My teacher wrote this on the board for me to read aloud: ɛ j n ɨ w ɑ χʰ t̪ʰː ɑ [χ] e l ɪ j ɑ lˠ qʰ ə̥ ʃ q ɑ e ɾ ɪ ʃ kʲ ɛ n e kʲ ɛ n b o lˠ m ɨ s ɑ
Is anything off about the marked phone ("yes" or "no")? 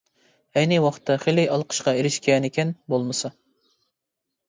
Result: no